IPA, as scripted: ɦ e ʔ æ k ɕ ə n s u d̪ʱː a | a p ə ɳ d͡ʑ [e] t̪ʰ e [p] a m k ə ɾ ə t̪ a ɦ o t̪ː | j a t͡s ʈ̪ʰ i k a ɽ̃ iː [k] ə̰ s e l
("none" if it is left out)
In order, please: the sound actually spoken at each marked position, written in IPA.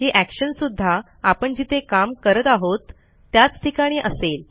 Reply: i, k, ʔ

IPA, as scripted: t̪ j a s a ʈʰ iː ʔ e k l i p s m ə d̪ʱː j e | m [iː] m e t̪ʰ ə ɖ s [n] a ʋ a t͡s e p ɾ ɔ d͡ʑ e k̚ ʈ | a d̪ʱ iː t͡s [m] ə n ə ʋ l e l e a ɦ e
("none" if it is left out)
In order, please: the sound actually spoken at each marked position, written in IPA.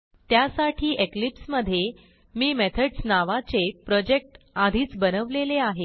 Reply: iː, n, b

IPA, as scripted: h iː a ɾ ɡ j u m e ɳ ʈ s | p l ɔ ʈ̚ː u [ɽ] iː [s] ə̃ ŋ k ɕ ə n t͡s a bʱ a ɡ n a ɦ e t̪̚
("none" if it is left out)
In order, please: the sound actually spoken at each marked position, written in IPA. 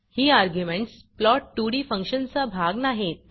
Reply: ɽ, f

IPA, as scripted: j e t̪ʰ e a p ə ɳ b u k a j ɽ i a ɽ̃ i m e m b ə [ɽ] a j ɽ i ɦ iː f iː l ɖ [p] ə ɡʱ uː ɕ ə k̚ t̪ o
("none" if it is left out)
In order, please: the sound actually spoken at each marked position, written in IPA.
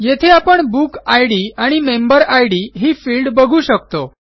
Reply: ɾ, b

